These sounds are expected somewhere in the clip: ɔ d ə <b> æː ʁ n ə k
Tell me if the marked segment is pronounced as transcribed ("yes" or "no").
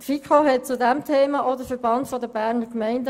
yes